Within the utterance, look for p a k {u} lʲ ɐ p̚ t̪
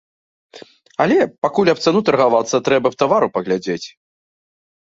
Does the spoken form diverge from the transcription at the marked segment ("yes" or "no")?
no